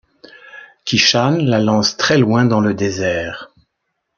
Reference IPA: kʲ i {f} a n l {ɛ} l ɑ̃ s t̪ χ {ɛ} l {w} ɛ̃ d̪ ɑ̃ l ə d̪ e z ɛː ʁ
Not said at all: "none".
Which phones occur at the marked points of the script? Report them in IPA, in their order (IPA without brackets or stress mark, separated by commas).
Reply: ʃ, a, ɛ, w